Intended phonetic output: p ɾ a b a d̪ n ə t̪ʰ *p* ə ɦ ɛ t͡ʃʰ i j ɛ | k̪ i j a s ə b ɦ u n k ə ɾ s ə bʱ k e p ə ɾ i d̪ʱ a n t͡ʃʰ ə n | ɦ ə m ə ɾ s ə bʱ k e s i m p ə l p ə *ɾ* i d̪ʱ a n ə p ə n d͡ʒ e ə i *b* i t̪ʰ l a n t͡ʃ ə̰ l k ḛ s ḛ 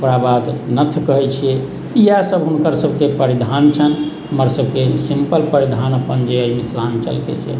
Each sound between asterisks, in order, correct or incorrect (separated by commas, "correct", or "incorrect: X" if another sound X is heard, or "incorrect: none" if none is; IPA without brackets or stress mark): incorrect: k, correct, incorrect: m